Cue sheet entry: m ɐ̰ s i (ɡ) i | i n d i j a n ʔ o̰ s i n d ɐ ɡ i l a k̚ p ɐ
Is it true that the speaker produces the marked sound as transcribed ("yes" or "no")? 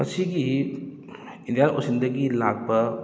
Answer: yes